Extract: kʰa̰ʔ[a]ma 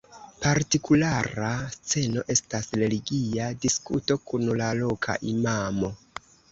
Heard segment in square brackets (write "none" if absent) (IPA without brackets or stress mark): i